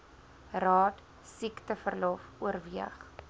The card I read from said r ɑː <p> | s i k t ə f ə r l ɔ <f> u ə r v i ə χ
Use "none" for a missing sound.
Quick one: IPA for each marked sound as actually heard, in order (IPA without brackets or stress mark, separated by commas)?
t, f